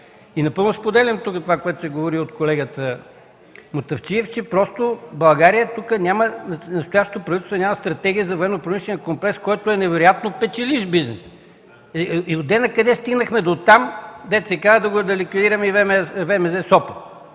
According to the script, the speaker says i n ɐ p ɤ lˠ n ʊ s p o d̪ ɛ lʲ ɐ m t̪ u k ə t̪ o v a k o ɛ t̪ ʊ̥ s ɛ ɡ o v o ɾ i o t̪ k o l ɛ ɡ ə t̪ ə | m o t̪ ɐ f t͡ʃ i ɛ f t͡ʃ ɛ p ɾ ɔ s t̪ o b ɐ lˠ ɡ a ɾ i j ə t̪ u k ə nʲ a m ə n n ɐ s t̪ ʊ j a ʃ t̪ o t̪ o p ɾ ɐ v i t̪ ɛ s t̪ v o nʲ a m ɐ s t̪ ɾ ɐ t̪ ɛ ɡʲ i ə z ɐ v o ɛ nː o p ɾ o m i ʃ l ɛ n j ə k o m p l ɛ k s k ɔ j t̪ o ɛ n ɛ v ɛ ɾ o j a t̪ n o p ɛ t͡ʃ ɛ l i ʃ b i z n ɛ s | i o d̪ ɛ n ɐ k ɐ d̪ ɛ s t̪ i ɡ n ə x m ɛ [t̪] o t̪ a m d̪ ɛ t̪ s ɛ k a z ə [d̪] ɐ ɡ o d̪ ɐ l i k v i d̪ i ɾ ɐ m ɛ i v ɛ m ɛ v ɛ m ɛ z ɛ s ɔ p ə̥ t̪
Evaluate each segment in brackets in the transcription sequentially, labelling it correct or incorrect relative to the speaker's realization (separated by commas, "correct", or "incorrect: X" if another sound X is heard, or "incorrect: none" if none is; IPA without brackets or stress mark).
incorrect: d̪, correct